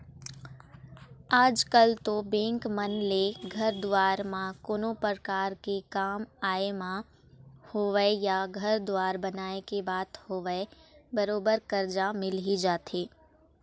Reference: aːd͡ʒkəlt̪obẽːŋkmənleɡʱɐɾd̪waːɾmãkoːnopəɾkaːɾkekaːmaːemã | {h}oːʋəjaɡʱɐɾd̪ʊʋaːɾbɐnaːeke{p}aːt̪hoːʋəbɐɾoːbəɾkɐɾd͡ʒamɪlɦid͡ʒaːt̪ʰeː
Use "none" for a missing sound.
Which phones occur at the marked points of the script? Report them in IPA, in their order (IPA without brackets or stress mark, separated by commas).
h, b